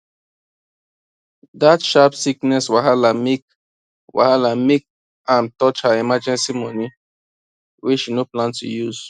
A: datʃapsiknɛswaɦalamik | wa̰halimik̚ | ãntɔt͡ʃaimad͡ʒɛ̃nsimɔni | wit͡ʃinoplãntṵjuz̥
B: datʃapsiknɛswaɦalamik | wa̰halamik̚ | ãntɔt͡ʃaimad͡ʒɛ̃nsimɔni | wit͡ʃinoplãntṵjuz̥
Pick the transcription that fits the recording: B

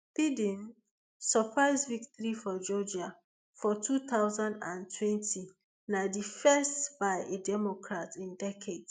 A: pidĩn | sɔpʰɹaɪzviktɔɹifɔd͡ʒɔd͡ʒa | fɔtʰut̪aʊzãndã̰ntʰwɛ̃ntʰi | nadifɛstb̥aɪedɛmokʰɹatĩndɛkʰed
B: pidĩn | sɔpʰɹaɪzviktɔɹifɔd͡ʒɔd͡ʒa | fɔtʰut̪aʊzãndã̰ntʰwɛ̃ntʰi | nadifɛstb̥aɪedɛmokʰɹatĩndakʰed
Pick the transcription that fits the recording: A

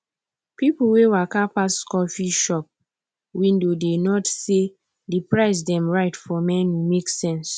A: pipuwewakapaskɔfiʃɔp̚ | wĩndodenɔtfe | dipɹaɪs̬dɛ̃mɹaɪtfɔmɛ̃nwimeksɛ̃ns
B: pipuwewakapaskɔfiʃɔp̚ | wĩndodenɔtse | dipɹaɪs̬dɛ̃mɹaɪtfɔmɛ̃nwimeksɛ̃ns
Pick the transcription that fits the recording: B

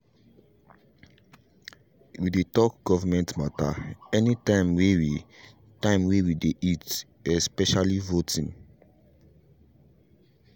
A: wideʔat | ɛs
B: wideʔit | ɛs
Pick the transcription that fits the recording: B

